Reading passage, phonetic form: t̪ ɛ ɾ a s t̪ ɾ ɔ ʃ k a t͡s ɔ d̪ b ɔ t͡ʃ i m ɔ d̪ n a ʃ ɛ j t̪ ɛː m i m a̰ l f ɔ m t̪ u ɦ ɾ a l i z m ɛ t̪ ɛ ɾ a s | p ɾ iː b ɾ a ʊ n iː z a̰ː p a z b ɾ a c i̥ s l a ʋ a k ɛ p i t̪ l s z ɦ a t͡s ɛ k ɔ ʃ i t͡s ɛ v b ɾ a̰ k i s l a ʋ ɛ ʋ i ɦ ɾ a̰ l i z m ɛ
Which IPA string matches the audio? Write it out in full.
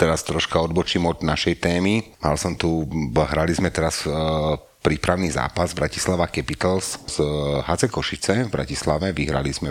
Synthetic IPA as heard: t̪ ɛ ɾ a s t̪ ɾ ɔ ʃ k a ɔ d̪ b ɔ t͡ʃ i m ɔ d̪ n a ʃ ɛ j t̪ ɛː m i m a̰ l s ɔ m t̪ u ɦ ɾ a l i z m ɛ t̪ ɛ ɾ a s | p ɾ iː p ɾ a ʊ n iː z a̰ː p a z b ɾ a c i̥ s l a ʋ a k ɛ p i t̪ l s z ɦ a t͡s ɛ k ɔ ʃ i t͡s ɛ v b ɾ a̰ c i s l a ʋ ɛ ʋ i ɦ ɾ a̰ l i z m ɛ